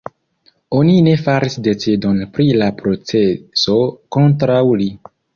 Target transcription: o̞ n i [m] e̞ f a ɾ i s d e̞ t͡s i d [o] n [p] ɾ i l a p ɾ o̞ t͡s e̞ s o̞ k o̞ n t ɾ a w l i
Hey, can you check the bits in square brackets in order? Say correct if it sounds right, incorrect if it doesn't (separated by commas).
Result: incorrect, correct, correct